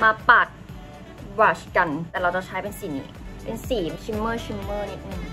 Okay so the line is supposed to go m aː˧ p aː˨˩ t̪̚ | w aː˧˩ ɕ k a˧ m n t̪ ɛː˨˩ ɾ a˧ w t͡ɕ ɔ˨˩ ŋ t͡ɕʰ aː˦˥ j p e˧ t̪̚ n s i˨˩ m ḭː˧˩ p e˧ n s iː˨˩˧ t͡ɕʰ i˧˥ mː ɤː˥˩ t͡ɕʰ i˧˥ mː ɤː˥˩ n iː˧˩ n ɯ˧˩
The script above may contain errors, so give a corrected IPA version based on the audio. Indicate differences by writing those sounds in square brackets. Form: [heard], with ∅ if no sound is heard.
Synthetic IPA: m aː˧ p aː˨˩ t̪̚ | w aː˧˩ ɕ k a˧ [∅] n t̪ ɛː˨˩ ɾ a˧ w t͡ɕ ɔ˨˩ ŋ t͡ɕʰ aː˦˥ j p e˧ [∅] n s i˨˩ [n] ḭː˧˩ p e˧ n s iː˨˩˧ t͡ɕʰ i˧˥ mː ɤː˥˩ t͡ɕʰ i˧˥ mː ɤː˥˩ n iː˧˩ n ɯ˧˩